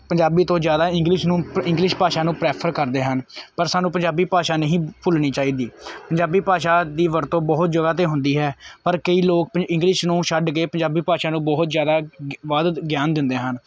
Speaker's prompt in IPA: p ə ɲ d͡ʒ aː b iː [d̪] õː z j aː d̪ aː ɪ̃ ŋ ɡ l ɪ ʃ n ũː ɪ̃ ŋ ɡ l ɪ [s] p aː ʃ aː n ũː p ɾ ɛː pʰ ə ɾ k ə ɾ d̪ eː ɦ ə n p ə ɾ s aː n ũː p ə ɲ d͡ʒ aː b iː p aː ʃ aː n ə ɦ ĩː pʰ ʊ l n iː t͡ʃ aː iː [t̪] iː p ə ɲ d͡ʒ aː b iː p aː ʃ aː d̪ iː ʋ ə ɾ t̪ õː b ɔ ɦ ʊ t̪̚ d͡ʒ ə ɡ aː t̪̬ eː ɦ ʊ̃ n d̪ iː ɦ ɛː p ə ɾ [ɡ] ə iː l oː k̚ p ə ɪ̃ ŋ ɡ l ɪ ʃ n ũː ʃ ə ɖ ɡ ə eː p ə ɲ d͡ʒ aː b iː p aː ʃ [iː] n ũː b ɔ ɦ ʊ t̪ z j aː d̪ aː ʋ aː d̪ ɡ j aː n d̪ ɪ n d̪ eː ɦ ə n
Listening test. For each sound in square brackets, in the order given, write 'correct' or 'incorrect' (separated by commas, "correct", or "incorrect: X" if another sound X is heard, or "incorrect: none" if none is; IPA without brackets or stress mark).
incorrect: t̪, incorrect: ʃ, incorrect: d̪, incorrect: k, incorrect: aː